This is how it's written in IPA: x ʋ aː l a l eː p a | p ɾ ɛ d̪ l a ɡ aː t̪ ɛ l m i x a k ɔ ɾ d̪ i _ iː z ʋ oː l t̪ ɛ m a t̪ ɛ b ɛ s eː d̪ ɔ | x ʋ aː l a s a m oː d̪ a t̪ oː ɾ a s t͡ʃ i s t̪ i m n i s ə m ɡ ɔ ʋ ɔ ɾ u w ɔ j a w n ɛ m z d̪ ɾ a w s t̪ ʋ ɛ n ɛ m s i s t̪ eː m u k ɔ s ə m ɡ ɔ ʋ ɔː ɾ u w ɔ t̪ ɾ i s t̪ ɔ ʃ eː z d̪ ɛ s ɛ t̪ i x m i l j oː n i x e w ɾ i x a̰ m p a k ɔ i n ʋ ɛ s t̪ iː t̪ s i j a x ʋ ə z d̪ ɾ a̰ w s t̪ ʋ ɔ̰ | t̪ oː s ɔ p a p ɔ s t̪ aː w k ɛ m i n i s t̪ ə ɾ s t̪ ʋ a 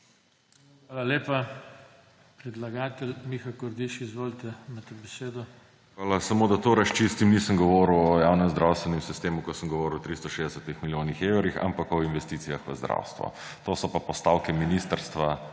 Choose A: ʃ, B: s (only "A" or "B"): A